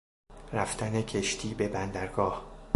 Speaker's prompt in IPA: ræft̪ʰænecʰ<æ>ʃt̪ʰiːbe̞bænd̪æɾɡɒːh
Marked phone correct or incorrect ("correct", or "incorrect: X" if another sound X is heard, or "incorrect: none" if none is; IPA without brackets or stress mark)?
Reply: incorrect: e